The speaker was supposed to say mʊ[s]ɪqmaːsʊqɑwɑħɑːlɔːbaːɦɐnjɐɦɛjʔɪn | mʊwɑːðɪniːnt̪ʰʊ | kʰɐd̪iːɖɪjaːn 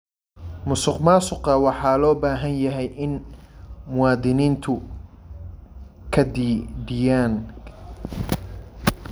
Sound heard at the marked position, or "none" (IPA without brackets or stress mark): s